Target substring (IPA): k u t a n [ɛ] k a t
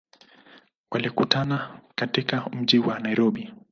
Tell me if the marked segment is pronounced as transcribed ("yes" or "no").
no